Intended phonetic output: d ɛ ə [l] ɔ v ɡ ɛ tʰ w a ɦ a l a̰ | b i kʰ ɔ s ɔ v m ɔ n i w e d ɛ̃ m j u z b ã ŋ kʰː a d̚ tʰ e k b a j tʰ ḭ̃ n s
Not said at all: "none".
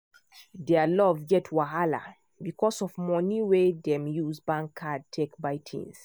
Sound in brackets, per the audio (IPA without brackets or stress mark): l